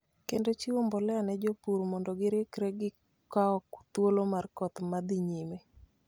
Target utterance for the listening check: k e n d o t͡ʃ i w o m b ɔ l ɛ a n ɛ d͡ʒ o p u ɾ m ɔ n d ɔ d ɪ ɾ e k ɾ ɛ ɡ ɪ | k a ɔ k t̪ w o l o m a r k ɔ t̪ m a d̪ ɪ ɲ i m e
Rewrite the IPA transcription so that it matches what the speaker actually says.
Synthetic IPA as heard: k e n d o t͡ʃ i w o m b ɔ l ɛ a n ɛ d͡ʒ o p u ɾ m ɔ n d ɔ ɡ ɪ ɾ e k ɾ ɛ ɡ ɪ | k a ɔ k t̪ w o l o m a r k ɔ t̪ m a d̪ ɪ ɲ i m e